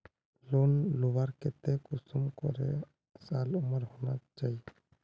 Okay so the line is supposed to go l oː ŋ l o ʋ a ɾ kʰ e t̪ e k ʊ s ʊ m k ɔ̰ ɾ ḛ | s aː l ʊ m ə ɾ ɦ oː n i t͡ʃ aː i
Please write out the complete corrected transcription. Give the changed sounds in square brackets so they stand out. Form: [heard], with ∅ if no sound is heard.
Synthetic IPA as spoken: l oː [n] l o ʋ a ɾ [k] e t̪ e k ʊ s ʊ m k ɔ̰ ɾ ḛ | s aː l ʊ m ə ɾ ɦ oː n [a] t͡ʃ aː i

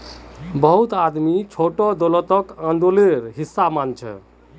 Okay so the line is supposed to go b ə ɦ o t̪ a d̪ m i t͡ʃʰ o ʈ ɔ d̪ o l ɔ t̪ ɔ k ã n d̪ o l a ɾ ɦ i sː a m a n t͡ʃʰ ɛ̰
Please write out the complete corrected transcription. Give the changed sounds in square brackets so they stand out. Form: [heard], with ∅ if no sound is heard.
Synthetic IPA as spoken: b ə ɦ [u] t̪ a d̪ m i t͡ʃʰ o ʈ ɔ d̪ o l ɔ t̪ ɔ k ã n d̪ o l [e] ɾ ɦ i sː a m a n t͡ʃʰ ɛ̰

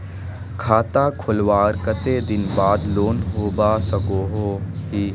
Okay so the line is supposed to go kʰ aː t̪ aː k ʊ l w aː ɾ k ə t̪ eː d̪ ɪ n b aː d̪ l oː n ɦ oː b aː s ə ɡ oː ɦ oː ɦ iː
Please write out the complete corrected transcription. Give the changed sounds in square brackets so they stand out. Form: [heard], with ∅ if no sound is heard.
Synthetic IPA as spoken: kʰ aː t̪ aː [kʰ] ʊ l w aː ɾ k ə t̪ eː d̪ ɪ n b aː d̪ l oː n ɦ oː b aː s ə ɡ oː ɦ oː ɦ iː

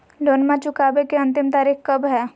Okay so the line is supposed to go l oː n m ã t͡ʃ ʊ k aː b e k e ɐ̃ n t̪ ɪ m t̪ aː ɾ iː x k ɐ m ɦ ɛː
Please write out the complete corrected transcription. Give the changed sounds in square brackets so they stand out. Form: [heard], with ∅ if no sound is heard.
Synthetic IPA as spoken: l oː n m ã t͡ʃ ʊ k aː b e k e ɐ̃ n t̪ ɪ m t̪ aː ɾ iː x k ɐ [b] ɦ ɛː

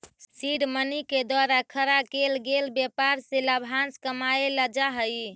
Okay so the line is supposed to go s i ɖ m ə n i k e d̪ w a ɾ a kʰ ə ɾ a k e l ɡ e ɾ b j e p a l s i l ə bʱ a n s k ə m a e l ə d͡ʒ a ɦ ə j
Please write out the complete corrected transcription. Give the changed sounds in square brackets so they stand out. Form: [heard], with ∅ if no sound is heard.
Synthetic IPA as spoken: s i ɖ m ə n i k e d̪ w a ɾ a kʰ ə ɾ a k e l ɡ e [l] b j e p a [ɾ] s [e] l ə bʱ a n s k ə m a e l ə d͡ʒ a ɦ ə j

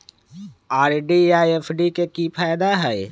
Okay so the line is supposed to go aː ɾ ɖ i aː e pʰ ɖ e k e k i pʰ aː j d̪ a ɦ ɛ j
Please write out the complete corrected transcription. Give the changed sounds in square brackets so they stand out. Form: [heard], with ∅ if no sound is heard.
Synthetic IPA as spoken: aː ɾ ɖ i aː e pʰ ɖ [i] k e k i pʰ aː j d̪ a ɦ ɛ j

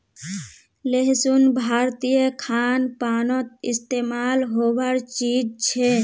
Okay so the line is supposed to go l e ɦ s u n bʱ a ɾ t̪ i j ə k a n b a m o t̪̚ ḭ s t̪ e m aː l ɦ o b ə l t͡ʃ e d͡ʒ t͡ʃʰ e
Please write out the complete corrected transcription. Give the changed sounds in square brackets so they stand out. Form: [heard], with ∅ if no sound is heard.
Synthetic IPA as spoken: l e ɦ s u n bʱ a ɾ t̪ i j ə [kʰ] a n [p] a [n] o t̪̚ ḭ s t̪ e m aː l ɦ o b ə [ɾ] t͡ʃ [i] d͡ʒ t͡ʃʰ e

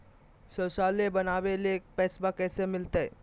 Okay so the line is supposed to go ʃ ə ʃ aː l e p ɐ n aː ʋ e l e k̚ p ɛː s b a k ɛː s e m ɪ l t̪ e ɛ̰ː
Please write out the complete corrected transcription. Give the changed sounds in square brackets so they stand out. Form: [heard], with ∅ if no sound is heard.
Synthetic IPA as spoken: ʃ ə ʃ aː l e [b] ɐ n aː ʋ e l e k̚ p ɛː s b a k ɛː s e m ɪ l t̪ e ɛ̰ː

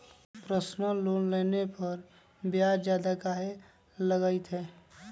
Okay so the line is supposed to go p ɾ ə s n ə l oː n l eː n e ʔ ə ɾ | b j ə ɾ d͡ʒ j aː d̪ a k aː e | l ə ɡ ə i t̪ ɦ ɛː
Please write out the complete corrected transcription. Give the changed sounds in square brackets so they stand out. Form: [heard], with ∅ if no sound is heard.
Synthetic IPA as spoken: p ɾ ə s n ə l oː n l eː n e [p] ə ɾ | b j [a] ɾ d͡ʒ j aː d̪ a k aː e | l ə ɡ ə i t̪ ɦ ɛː

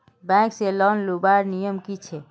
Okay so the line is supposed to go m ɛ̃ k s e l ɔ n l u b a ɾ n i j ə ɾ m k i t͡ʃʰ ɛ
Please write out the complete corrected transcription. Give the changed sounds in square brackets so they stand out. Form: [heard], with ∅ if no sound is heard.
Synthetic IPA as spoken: [b] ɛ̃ k s e l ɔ n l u b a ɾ n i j ə [∅] m k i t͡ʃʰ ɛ

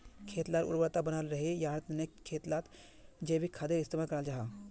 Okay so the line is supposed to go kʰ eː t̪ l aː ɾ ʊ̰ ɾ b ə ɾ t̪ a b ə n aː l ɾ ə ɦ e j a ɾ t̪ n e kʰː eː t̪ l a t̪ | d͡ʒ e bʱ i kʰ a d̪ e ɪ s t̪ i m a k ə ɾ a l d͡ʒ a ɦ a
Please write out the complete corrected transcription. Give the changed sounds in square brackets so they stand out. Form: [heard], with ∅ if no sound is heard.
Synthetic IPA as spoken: kʰ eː t̪ l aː ɾ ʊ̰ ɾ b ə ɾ t̪ a b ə n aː l ɾ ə ɦ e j a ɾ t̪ n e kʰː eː t̪ l a t̪ | d͡ʒ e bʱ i kʰ a d̪ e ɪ s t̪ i m a k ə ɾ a l d͡ʒ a ɦ a

